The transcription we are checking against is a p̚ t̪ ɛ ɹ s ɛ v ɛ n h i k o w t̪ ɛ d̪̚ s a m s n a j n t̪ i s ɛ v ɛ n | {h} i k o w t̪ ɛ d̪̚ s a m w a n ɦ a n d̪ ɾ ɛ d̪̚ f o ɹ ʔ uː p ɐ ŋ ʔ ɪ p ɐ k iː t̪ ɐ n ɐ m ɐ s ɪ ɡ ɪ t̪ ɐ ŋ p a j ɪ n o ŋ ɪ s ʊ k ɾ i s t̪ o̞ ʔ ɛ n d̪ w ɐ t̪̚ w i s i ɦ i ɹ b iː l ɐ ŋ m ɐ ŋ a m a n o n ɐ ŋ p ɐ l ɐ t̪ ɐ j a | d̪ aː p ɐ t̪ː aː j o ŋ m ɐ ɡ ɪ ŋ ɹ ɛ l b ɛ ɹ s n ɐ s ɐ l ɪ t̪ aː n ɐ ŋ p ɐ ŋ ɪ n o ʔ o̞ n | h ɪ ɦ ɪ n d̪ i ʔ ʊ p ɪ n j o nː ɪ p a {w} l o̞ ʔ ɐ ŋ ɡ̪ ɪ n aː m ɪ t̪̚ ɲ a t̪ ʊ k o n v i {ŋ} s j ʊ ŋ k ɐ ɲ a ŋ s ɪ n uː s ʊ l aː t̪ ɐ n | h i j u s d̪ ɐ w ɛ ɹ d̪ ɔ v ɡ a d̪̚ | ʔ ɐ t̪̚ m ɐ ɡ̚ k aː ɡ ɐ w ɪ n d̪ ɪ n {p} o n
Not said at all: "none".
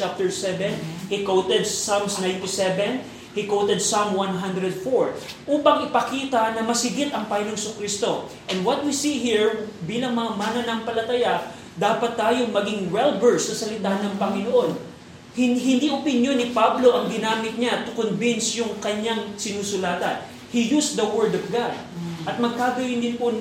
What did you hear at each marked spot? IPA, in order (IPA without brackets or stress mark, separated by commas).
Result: h, b, n, p